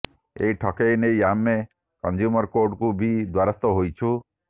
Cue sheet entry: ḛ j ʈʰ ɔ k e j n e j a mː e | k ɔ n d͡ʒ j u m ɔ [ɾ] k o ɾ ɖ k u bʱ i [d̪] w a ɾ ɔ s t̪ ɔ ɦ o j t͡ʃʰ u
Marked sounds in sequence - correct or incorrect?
correct, correct

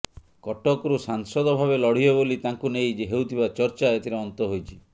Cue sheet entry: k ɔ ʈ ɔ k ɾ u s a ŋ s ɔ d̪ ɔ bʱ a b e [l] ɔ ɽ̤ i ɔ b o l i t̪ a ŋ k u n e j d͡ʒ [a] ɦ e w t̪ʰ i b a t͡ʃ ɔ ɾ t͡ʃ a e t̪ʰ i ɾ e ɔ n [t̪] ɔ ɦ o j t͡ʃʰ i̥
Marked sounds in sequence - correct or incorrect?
correct, incorrect, correct

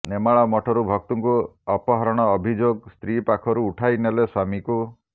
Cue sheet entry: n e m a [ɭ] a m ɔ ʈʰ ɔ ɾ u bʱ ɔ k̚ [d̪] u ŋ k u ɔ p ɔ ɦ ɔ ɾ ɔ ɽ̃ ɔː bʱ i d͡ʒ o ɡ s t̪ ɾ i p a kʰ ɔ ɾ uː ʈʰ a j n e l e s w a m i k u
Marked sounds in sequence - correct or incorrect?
correct, incorrect

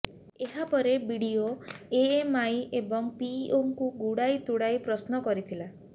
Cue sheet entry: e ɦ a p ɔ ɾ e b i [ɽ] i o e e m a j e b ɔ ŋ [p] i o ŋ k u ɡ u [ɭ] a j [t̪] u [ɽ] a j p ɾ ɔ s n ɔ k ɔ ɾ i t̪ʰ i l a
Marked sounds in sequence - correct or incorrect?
correct, correct, incorrect, correct, correct

